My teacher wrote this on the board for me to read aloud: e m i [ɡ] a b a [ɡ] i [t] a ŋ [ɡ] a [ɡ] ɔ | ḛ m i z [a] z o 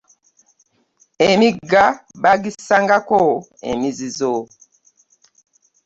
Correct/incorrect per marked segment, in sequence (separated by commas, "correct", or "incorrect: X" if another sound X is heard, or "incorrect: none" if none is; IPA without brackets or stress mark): correct, correct, incorrect: s, correct, incorrect: k, incorrect: i